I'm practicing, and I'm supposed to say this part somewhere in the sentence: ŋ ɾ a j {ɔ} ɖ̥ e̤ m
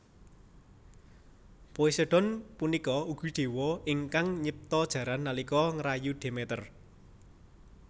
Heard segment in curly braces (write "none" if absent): u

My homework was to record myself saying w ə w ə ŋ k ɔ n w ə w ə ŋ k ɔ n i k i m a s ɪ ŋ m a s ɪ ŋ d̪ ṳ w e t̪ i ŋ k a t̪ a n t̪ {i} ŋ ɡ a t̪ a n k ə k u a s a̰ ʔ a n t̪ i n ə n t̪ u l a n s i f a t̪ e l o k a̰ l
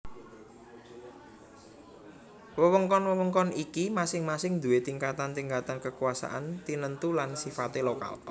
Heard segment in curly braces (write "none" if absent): i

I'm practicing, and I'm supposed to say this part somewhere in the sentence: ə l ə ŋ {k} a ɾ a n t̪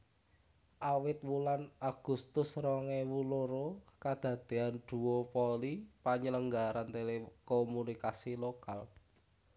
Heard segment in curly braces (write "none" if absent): ɡ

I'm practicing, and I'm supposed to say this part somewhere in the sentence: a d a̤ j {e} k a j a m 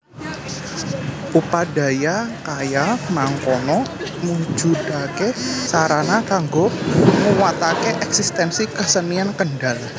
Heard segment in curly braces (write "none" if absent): a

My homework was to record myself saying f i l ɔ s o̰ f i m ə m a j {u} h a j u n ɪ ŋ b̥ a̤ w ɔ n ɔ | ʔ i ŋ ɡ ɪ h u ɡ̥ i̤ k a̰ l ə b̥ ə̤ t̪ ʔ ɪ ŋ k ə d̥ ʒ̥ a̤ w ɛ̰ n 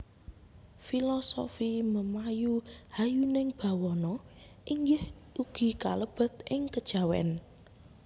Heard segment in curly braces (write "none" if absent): u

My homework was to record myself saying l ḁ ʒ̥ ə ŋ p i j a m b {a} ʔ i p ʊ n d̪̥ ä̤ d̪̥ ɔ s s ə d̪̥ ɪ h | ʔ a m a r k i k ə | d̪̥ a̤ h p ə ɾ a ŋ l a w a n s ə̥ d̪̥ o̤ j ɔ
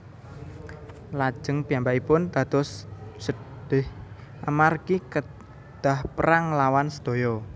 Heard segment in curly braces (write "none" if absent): a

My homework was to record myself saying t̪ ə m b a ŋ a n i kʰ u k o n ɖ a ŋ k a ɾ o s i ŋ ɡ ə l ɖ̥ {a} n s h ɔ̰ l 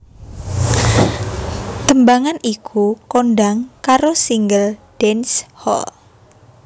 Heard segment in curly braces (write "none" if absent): ɛ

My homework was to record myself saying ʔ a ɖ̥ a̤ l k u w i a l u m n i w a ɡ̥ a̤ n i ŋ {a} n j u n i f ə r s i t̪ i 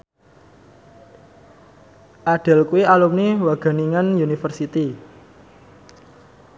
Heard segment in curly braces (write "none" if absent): a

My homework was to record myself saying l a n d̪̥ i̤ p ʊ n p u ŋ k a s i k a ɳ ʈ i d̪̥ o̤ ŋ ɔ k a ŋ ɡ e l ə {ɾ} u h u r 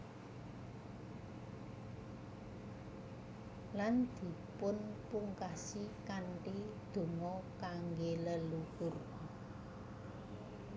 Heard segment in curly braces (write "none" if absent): l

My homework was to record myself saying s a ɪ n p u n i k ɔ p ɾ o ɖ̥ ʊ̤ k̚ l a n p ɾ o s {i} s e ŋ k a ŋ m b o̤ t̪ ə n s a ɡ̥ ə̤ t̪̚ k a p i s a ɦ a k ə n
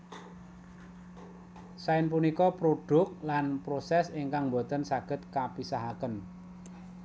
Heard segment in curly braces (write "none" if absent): ɛ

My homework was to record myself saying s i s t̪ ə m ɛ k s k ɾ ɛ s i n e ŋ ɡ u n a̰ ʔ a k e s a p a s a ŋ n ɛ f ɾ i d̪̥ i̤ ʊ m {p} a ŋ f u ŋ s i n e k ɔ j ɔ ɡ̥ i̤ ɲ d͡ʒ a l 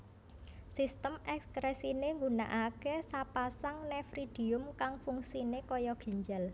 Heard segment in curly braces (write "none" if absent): k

